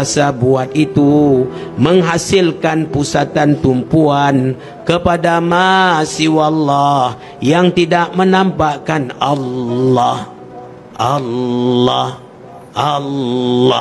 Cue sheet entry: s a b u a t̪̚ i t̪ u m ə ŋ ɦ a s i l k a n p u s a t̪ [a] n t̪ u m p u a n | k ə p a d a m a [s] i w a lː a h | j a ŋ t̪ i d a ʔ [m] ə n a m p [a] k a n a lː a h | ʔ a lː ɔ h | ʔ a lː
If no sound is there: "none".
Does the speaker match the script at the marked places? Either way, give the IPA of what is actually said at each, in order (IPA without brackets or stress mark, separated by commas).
a, s, m, a